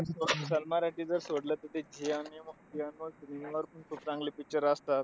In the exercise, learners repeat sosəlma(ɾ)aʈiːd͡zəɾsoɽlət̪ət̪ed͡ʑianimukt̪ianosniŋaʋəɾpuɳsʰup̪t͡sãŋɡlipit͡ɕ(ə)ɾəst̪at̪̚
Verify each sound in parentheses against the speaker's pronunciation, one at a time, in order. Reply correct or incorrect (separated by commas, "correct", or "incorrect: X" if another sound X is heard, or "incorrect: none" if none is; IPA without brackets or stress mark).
correct, correct